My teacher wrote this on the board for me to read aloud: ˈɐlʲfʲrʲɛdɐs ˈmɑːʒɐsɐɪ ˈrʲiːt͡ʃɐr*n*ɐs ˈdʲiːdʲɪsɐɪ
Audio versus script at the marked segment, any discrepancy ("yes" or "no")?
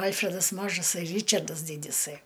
yes